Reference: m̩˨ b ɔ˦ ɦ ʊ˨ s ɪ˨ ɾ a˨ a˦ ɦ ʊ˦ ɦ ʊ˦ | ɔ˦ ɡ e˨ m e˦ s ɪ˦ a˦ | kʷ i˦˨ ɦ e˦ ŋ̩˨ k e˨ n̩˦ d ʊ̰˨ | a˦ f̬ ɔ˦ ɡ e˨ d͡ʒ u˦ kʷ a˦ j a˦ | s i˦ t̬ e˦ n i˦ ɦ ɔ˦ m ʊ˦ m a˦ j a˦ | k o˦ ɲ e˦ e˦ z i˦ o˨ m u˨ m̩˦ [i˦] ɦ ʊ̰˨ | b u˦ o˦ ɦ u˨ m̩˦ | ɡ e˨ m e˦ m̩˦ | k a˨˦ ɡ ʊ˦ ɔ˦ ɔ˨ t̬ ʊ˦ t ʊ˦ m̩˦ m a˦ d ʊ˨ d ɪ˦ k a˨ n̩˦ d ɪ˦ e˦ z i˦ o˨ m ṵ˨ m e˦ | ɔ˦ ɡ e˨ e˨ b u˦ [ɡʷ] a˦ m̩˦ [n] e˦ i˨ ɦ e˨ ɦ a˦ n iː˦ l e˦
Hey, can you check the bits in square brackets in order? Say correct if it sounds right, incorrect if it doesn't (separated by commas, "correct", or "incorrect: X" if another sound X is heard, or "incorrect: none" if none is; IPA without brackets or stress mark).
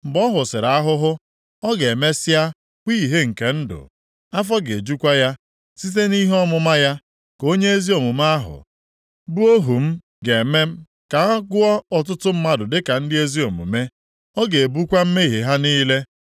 incorrect: a˦, incorrect: kʷ, incorrect: m